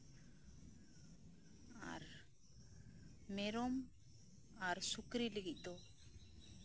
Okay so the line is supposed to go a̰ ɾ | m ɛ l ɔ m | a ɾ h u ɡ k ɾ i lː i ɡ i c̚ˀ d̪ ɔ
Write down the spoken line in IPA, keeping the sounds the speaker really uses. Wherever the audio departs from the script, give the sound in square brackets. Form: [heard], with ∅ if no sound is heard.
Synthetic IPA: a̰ ɾ | m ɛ [ɾ] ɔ m | a ɾ [s] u [∅] k ɾ i [l] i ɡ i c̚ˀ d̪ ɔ